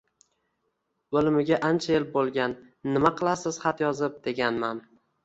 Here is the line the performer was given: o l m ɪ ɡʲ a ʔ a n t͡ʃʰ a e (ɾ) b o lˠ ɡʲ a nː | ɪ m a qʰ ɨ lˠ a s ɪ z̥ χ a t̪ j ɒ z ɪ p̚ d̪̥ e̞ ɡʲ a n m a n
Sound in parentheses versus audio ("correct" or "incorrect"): incorrect